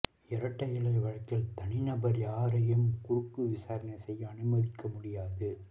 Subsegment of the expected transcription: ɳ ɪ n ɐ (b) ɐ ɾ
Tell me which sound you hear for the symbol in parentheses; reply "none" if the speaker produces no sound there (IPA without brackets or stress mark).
b